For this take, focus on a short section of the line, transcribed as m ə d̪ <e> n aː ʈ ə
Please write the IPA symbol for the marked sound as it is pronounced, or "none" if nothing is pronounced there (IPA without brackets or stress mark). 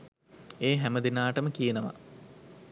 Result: i